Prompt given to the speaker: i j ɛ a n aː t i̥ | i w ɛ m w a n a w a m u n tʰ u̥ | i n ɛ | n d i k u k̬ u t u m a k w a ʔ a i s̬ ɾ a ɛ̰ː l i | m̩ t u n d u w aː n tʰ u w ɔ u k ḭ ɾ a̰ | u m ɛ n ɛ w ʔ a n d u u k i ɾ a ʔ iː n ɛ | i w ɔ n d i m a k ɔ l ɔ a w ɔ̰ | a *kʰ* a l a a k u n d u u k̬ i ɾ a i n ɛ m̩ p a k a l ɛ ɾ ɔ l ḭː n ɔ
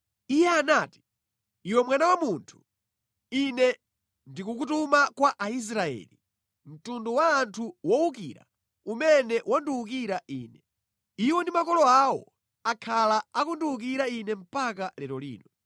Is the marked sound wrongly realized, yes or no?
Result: no